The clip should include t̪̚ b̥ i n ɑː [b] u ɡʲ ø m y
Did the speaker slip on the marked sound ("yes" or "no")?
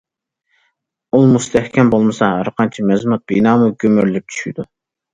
yes